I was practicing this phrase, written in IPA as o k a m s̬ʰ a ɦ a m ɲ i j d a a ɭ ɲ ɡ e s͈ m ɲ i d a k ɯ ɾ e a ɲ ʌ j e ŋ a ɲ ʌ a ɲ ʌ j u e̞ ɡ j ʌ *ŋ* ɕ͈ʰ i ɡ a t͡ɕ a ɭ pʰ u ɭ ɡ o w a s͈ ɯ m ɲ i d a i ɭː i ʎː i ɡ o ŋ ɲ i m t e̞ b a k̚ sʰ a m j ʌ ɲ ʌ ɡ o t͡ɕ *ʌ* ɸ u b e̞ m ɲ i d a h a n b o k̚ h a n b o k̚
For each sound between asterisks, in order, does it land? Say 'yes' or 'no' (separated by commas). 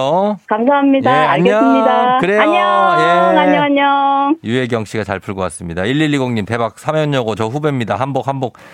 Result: yes, yes